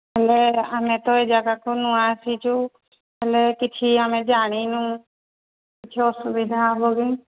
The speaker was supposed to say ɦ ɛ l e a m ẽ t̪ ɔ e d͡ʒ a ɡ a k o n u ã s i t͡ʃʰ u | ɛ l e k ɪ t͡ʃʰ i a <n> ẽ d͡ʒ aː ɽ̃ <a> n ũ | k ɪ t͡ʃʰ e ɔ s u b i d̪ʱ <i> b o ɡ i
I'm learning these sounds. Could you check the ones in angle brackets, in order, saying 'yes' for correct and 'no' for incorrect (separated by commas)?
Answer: no, no, no